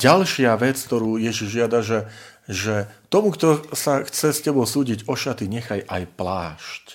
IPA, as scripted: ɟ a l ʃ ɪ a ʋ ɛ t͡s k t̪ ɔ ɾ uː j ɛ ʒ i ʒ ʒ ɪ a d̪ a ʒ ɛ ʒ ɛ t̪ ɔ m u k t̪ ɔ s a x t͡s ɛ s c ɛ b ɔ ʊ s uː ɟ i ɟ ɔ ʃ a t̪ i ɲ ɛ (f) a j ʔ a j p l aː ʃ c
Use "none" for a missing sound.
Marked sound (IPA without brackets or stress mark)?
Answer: x